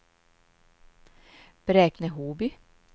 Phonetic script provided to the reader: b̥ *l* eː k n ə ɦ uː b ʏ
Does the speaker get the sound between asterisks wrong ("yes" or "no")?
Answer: yes